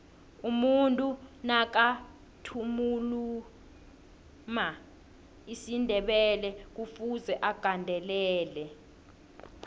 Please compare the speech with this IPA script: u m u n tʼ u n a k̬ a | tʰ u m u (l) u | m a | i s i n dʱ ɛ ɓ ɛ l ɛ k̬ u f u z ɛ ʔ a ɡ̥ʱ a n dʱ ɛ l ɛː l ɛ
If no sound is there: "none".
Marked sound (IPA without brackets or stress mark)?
l